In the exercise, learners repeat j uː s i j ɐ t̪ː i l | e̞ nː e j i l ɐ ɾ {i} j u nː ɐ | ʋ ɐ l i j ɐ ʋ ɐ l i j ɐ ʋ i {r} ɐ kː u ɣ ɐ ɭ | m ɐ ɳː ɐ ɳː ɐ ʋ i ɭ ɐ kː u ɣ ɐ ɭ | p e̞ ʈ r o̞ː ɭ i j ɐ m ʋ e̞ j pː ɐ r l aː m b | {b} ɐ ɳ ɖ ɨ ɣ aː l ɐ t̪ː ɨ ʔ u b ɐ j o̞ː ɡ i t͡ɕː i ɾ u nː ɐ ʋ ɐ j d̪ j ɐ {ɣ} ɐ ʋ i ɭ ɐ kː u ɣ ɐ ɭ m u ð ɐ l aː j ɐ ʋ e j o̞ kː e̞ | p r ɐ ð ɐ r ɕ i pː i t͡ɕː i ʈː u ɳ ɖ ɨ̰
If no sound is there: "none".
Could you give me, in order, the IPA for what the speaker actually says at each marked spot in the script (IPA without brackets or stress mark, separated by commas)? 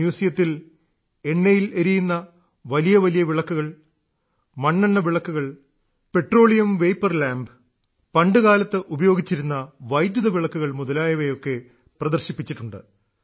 i, ɭ, p, ð